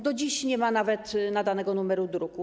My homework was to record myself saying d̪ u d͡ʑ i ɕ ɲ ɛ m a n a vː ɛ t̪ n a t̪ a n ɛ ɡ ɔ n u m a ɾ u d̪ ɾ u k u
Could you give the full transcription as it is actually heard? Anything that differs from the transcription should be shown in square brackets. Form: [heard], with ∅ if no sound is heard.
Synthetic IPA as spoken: d̪ [ɔ] d͡ʑ i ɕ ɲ ɛ m a n a [v] ɛ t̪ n a [d̪] a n ɛ ɡ ɔ n u m [ɛ] ɾ u d̪ ɾ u k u